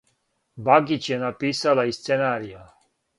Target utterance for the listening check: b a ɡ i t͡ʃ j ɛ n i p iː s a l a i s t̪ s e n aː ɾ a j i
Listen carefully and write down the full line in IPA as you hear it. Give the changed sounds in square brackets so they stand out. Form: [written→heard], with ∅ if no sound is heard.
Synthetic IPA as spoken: b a ɡ i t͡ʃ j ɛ n [i→a] p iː s a l a i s t̪ s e n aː ɾ [a→i] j [i→a]